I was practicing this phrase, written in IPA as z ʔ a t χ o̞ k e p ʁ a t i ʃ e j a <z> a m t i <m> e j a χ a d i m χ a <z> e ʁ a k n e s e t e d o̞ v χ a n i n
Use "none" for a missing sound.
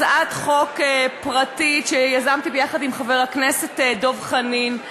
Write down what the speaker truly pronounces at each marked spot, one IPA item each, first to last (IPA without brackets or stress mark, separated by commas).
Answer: z, b, v